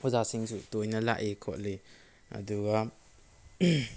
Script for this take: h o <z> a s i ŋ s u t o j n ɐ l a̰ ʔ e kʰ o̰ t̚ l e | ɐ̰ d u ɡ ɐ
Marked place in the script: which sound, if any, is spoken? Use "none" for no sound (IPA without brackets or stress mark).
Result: z